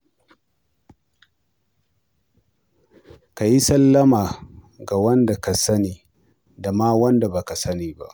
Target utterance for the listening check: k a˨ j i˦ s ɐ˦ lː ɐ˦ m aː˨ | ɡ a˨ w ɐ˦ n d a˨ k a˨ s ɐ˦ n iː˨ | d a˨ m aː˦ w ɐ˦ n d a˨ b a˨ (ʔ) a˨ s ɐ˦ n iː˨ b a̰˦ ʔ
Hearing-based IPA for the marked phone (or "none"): k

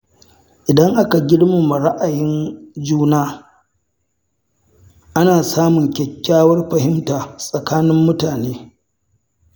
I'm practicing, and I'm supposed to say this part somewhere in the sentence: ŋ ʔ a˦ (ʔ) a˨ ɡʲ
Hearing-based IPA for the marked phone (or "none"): k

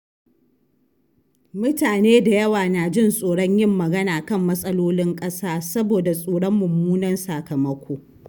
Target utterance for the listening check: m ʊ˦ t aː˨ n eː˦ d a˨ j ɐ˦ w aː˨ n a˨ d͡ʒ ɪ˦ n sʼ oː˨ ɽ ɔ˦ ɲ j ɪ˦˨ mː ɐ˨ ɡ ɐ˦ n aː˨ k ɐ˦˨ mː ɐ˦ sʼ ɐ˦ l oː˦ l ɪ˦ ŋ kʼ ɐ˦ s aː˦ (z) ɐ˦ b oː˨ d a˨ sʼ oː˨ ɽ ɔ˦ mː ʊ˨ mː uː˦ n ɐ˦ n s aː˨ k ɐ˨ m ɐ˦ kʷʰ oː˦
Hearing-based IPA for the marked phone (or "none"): s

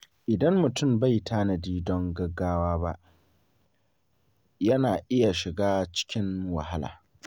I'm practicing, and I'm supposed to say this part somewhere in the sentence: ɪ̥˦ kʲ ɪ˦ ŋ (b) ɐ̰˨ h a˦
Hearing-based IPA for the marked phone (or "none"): w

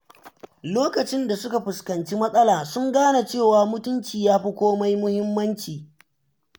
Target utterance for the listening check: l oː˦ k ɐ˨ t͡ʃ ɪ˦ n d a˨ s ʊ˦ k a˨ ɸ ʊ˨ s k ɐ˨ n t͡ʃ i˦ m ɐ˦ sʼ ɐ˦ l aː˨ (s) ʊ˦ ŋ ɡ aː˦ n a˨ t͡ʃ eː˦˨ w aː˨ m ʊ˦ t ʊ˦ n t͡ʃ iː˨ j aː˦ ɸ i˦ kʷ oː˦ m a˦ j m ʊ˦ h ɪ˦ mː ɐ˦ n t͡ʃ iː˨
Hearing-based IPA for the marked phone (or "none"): s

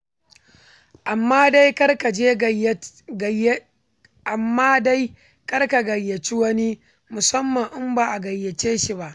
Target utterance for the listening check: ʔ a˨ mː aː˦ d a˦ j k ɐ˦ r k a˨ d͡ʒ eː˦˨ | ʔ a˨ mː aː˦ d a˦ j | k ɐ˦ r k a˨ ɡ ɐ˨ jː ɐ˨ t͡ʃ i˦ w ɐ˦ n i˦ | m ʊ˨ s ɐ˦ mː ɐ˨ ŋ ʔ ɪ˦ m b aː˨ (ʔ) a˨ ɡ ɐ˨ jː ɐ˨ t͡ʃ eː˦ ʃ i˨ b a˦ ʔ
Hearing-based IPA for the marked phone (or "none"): ʔ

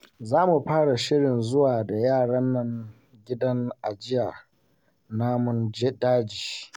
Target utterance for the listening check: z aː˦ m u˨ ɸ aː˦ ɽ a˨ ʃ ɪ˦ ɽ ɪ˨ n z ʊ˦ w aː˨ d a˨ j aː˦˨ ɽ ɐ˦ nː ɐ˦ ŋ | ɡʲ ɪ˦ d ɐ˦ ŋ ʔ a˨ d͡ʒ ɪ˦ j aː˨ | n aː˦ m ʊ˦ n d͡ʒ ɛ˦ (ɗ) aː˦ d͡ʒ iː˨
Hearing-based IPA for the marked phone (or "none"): d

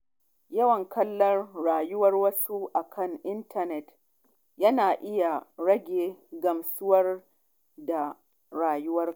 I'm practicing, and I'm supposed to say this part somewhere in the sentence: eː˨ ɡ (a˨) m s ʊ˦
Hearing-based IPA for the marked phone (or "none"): ɐ˨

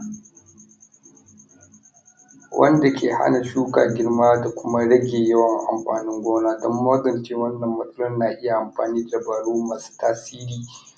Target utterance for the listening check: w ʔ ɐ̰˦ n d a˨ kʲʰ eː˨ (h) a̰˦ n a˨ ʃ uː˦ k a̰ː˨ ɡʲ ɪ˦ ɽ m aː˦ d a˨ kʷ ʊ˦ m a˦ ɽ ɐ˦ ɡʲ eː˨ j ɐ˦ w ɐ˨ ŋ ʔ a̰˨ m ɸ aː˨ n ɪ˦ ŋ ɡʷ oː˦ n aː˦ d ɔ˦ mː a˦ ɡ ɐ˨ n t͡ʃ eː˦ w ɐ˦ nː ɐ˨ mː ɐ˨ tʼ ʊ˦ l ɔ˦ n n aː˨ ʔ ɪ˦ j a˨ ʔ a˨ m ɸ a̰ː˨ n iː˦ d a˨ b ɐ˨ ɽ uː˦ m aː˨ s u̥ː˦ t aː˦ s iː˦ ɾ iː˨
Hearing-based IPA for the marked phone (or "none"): h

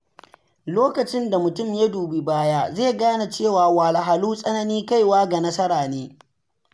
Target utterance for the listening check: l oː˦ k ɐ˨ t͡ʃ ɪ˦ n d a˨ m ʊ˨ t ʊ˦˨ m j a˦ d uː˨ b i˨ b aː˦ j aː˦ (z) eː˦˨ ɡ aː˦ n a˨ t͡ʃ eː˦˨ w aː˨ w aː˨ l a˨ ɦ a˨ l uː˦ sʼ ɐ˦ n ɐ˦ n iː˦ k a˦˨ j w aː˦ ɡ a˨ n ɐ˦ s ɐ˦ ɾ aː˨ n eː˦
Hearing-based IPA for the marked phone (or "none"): z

